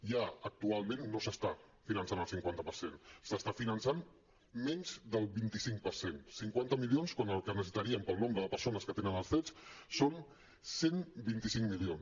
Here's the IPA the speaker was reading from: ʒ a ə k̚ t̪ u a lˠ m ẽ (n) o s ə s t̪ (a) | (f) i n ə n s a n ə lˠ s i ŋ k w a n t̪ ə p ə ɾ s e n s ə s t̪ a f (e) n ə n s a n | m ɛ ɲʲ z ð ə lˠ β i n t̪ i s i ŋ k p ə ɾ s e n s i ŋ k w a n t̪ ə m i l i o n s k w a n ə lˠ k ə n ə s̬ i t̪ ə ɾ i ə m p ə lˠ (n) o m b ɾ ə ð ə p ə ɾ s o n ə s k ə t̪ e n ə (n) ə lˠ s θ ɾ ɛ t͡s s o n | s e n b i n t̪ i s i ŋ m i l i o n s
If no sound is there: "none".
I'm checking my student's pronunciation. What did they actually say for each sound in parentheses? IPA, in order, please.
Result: nː, a, f, i, n, n

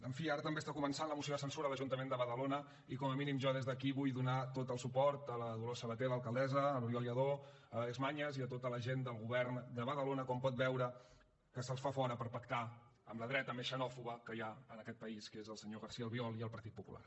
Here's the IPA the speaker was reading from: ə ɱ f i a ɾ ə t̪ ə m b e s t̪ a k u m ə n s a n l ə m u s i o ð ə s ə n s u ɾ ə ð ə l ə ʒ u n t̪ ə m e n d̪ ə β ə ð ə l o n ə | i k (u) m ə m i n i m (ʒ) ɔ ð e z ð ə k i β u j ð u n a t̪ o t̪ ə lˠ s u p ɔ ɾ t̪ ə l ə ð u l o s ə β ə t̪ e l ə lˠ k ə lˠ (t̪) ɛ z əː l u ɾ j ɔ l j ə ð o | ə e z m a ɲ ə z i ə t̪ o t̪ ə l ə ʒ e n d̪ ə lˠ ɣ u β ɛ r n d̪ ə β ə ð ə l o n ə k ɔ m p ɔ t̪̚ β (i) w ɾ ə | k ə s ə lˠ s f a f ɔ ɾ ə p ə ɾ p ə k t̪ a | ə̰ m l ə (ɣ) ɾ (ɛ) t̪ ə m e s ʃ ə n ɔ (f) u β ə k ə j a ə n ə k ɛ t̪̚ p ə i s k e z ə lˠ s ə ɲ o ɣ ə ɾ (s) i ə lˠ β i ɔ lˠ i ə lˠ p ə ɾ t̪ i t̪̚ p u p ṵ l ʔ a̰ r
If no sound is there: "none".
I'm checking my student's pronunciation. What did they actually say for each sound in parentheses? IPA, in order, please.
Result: ɔ, ʒ, d̪, ɛ, ð, ɛ, f, s

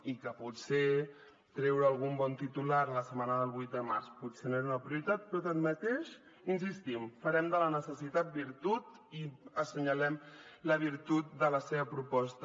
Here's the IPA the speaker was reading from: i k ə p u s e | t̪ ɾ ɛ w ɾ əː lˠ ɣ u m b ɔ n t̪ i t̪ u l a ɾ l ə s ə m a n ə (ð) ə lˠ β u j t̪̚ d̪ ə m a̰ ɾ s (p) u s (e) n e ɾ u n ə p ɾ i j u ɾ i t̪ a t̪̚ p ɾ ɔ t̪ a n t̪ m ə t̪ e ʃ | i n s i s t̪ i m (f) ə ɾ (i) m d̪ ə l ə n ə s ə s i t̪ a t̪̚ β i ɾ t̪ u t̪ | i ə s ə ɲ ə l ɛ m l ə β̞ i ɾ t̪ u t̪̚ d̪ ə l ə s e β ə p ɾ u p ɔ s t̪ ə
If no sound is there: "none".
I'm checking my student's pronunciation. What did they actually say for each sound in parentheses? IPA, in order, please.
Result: ð, p, e, f, ɛ

